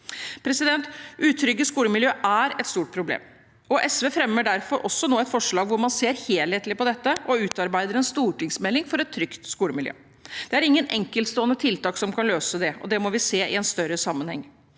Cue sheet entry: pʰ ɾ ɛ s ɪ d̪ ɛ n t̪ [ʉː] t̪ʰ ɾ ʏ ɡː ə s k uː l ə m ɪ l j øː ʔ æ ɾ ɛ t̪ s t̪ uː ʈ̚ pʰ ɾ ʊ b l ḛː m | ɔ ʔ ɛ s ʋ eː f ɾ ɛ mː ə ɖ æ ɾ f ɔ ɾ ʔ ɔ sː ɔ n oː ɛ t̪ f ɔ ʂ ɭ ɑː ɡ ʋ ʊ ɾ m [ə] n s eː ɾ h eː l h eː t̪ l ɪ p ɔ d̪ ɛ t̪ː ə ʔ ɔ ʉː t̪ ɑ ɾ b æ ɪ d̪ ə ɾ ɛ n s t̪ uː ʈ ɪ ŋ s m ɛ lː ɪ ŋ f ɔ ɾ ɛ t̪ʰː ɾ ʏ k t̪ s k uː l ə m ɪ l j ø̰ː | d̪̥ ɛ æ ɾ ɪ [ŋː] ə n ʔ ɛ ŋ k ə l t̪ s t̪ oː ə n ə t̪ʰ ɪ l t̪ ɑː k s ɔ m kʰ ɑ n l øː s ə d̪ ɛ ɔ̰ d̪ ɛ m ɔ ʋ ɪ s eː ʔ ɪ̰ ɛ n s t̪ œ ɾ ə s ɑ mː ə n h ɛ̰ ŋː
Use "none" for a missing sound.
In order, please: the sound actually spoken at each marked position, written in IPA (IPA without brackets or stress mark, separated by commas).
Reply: ʉː, ɑ, ŋː